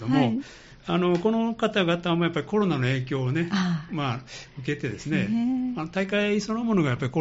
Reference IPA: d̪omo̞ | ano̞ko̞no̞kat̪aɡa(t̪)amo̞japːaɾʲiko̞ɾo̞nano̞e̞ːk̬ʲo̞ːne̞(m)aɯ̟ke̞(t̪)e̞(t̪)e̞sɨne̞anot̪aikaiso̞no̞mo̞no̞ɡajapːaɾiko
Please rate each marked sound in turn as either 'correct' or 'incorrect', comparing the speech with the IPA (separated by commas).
correct, correct, correct, incorrect